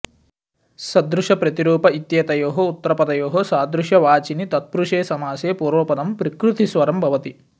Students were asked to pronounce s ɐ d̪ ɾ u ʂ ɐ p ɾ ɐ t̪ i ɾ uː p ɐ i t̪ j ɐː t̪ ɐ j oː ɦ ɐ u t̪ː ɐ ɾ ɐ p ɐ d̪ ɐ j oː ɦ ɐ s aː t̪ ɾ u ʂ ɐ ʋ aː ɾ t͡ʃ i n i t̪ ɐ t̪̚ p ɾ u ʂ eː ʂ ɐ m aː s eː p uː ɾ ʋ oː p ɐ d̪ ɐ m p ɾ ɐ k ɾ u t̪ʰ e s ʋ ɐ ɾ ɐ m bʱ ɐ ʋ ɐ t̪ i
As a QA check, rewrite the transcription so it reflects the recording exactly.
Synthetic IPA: s ɐ d̪ ɾ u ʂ ɐ p ɾ ɐ t̪ i ɾ uː p ɐ i t̪ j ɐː t̪ ɐ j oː ɦ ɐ u t̪ː ɐ ɾ ɐ p ɐ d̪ ɐ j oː ɦ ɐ s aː d̪ ɾ u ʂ ɐ ʋ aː t͡ʃ i n i t̪ ɐ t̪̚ p ɾ u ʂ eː s ɐ m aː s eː p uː ɾ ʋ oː p ɐ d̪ ɐ m p ɾ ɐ k ɾ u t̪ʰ i s ʋ ɐ ɾ ɐ m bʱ ɐ ʋ ɐ t̪ i